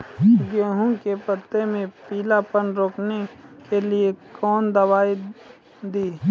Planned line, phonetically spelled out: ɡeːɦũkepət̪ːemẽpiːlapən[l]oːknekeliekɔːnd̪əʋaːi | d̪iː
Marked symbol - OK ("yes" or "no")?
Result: no